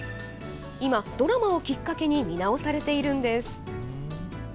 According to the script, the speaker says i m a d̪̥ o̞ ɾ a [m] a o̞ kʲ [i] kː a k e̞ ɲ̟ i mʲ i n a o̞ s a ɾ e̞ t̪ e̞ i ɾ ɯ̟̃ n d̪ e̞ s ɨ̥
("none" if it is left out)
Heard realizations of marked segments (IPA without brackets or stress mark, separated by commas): m, i